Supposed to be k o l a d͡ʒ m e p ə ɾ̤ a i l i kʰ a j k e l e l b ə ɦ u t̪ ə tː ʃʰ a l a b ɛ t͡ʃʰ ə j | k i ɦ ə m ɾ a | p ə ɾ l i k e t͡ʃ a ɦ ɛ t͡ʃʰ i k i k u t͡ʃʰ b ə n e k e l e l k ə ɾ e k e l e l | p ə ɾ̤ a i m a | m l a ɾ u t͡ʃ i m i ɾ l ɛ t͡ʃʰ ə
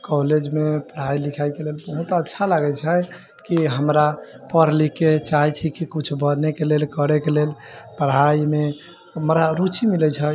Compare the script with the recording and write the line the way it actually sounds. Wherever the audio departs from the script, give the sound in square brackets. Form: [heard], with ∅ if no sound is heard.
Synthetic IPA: k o l [e] d͡ʒ m e p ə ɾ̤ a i l i kʰ a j k e l e l b ə ɦ u t̪ ə tː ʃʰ a l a [ɡ] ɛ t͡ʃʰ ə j | k i ɦ ə m ɾ a | p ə ɾ l i k e t͡ʃ a ɦ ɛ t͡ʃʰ i k i k u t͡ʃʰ b ə n e k e l e l k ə ɾ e k e l e l | p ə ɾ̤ a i m [e] | m [ɾ] a ɾ u t͡ʃ i m i [∅] l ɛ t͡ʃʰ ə